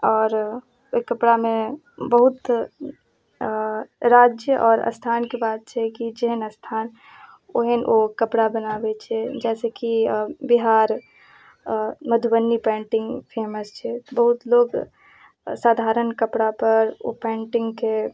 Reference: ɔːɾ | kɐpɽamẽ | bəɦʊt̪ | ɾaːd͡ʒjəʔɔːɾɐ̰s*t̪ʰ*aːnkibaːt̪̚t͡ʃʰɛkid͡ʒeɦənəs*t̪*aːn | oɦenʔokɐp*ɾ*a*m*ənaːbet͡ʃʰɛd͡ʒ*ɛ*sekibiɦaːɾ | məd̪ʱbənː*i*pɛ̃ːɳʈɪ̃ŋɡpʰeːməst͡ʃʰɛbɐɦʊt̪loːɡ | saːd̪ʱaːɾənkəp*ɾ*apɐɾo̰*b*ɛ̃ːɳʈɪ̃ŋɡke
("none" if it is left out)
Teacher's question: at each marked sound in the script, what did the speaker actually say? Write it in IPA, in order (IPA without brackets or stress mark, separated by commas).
t̪ʰ, t̪ʰ, ɽ, b, ɛː, i, ɽ, p